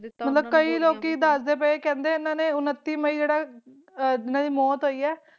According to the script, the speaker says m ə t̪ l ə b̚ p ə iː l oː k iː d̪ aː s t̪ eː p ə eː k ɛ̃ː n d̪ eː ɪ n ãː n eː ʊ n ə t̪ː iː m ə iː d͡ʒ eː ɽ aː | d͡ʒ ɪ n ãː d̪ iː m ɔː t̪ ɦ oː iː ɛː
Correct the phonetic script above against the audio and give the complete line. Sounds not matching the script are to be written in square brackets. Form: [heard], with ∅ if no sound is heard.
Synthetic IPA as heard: m ə t̪ l ə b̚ [k] ə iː l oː k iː d̪ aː s [d̪] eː p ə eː k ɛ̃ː n d̪ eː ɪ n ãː n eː ʊ n ə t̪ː iː m ə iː d͡ʒ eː ɽ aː | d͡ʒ ɪ n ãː d̪ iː m ɔː t̪ ɦ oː iː ɛː